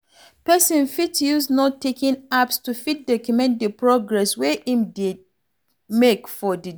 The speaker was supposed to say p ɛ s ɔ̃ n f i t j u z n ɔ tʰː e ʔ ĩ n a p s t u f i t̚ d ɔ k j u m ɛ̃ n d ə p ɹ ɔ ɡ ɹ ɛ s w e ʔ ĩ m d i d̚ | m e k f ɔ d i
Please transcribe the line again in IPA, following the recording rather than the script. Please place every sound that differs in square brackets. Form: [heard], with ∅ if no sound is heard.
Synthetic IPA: p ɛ s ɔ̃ n f i t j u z n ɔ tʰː e [k] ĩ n a p s t u f i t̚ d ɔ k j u m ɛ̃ n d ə p ɹ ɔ ɡ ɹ ɛ s w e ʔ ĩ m d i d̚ | m e k f ɔ d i